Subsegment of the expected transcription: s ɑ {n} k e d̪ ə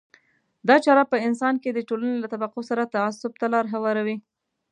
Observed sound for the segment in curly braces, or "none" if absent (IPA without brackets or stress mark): n